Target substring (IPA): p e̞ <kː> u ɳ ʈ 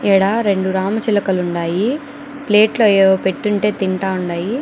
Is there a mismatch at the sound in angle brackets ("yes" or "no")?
yes